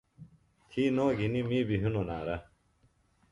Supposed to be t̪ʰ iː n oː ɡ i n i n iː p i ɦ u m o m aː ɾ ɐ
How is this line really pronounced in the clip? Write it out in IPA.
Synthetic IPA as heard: t̪ʰ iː n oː ɡ i n i m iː b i ɦ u n o n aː ɾ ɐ